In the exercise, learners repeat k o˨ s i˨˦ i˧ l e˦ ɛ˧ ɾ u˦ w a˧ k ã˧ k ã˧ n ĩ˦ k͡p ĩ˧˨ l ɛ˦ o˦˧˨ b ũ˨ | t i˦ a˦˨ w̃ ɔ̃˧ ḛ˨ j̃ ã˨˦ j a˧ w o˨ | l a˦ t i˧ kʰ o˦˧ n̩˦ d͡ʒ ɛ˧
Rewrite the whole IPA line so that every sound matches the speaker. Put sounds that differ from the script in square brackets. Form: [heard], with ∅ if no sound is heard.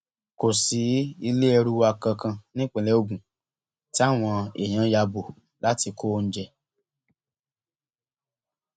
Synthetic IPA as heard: k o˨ s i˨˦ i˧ l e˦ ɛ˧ ɾ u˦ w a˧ k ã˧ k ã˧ n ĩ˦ k͡p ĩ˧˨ l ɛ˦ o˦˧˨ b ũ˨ | t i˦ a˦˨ w̃ ɔ̃˧ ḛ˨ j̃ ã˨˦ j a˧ [b] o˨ | l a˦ t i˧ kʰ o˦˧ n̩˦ d͡ʒ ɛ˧